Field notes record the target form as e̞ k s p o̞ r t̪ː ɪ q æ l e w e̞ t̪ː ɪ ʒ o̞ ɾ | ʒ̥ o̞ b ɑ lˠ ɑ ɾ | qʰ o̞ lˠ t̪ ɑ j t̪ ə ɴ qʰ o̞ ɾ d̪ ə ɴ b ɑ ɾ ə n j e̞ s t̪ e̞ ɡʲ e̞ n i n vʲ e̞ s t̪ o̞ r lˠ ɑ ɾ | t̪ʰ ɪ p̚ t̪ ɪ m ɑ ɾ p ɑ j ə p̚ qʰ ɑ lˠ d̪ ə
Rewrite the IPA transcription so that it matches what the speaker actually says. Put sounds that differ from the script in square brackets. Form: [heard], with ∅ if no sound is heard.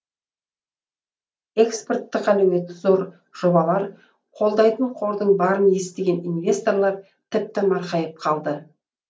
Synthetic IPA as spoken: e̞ k s p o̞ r t̪ː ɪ q æ l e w e̞ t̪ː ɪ [z] o̞ ɾ | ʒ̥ o̞ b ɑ lˠ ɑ ɾ | qʰ o̞ lˠ [d̪] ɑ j t̪ ə ɴ qʰ o̞ ɾ d̪ ə ɴ b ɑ ɾ ə n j e̞ s t̪ e̞ ɡʲ e̞ n i n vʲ e̞ s t̪ o̞ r lˠ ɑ ɾ | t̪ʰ ɪ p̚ t̪ ɪ m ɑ ɾ [q] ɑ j ə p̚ qʰ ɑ lˠ d̪ ə